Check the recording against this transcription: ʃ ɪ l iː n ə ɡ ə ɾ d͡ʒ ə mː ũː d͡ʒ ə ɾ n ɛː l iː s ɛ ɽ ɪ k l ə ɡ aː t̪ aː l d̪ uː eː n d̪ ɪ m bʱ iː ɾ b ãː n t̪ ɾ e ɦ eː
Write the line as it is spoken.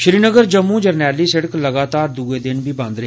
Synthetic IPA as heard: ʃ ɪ ɾ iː n ə ɡ ə ɾ d͡ʒ ə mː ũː d͡ʒ ə ɾ n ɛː l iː s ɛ ɽ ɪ k l ə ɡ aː t̪ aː ɾ d̪ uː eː d̪ ɪ n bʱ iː b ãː n d̪ ɾ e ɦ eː